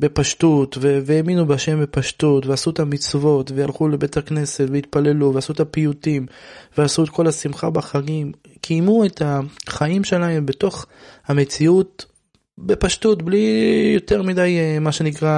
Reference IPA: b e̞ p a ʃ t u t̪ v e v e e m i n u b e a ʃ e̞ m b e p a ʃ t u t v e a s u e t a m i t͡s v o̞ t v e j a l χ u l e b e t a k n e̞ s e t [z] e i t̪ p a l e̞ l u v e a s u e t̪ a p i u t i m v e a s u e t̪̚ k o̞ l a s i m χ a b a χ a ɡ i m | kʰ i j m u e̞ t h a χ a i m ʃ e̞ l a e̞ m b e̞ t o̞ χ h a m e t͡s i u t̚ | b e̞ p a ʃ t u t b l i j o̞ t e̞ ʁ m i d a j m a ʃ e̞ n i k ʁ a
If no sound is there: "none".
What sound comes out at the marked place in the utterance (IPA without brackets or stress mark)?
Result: v